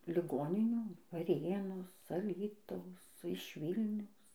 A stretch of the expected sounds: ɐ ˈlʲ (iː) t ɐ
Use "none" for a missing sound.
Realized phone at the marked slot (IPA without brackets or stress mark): iː